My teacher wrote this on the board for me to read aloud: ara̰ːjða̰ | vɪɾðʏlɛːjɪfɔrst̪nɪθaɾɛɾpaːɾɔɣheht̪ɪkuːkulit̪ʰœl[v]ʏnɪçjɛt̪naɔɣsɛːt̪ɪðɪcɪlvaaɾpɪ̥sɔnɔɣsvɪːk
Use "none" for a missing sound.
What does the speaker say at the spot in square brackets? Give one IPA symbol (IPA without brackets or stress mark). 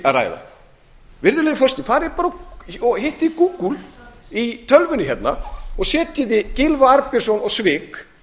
v